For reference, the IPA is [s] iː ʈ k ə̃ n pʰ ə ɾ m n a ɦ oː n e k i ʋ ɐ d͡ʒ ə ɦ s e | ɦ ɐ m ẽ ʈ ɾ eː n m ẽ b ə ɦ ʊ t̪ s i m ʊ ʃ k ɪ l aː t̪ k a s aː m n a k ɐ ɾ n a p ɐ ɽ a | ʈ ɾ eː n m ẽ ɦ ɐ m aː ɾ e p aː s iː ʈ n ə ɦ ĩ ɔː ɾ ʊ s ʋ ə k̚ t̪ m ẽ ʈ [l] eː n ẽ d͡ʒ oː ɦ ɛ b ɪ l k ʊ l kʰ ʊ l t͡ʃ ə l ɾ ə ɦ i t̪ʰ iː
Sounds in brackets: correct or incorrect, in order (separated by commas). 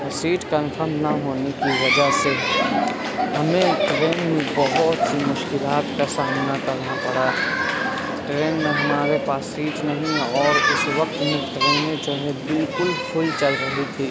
correct, incorrect